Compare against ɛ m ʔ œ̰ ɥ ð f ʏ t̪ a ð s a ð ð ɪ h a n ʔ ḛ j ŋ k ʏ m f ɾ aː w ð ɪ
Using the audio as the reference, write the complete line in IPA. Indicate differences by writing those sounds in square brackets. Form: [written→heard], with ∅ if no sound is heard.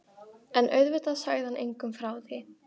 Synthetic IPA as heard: ɛ [m→n] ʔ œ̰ ɥ ð [f→v] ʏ t̪ a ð s a [ð→ɣ] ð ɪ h a n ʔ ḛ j ŋ k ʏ m f ɾ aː w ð ɪ